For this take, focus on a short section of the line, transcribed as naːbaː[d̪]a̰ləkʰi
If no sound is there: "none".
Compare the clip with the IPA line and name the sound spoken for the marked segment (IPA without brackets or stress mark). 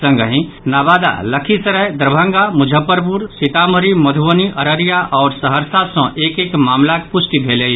d̪